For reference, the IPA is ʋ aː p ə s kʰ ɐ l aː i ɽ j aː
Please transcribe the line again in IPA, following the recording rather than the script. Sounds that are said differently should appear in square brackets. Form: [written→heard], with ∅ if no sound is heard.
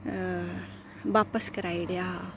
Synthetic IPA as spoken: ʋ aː p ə s [kʰ→k] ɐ [l→ɾ] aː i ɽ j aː